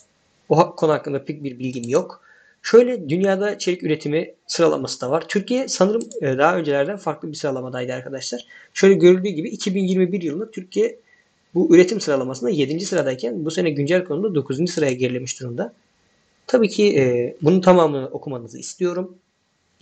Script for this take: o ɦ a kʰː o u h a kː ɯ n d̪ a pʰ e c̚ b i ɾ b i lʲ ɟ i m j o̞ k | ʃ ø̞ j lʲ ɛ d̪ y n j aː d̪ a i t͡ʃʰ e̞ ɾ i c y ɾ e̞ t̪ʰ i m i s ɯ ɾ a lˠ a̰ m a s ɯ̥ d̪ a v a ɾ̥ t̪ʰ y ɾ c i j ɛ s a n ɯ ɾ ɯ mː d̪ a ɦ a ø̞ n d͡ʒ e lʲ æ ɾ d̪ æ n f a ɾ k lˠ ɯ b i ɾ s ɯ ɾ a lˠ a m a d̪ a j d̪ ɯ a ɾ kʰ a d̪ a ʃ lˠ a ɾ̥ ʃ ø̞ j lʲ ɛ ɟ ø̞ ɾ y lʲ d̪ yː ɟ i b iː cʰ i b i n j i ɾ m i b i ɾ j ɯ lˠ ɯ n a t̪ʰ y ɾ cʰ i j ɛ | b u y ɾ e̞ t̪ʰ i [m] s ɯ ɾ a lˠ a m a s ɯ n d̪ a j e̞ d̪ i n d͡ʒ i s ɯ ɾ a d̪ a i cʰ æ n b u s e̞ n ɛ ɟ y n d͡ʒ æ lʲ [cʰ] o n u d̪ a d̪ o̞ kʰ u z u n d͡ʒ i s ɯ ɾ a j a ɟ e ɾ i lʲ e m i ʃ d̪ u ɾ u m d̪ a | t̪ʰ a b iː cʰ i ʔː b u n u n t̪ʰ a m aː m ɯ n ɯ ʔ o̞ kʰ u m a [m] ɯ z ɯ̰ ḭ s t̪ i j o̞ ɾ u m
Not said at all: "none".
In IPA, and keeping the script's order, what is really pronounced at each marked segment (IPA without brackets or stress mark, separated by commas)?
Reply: m, kʰ, n